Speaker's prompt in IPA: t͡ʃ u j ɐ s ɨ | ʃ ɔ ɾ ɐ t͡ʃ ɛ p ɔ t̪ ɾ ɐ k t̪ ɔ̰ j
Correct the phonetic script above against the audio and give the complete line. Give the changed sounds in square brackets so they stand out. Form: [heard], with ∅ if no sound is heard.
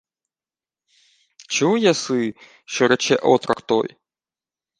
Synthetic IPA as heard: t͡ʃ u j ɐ s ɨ | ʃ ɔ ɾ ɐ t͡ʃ ɛ [ʔ] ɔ t̪ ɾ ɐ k t̪ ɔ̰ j